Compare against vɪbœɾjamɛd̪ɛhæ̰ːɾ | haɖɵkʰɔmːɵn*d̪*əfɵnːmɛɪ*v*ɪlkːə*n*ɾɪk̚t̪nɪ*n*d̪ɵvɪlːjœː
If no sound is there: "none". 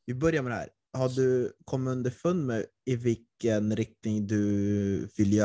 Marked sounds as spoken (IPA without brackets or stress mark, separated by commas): d̪, v, n, ŋ